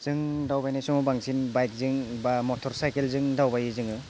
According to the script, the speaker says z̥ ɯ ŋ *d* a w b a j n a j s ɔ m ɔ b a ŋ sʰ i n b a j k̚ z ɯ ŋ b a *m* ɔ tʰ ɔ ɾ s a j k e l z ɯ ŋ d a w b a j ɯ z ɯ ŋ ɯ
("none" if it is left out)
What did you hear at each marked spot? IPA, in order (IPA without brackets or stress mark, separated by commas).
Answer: d, m